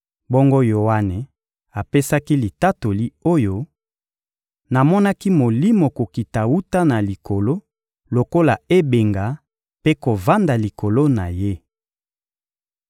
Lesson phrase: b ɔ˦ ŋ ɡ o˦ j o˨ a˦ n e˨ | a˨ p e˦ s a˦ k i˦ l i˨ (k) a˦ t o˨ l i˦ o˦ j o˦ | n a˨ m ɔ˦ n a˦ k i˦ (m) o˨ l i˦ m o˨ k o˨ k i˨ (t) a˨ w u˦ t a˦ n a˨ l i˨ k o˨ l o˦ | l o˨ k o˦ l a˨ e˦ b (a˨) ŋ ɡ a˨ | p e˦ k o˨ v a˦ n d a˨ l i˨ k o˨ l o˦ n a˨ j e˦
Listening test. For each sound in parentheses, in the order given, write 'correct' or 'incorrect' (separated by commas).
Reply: incorrect, correct, correct, incorrect